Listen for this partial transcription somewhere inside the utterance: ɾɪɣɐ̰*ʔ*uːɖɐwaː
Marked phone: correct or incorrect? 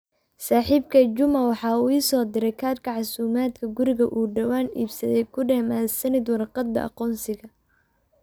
correct